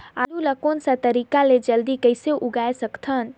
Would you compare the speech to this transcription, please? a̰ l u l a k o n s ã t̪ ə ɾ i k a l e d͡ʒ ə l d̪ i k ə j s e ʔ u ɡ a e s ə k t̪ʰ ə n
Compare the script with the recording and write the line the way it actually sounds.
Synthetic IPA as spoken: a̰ l u l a k o n s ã t̪ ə ɾ i k a l e d͡ʒ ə l d̪ i k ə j s e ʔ u ɡ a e s ə k t̪ʰ ə n